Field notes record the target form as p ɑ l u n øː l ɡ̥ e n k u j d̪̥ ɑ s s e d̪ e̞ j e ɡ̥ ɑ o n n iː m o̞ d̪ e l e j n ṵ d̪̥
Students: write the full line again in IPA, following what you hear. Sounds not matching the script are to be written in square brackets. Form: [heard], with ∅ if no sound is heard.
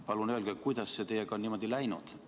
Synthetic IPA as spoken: p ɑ l u n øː l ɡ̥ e [∅] k u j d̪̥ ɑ s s e [t̪] e̞ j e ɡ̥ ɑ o n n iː m o̞ d̪ [i] l [æ] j n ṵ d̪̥